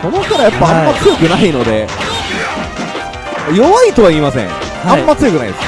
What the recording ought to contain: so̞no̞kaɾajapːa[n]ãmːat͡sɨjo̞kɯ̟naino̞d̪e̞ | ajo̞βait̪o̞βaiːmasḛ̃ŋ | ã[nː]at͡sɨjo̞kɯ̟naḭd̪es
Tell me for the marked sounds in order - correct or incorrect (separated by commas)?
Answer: incorrect, incorrect